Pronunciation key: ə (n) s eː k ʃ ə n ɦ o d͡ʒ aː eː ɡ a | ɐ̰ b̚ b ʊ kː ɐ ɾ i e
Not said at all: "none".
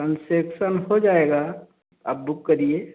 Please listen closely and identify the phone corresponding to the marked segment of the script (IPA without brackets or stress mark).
n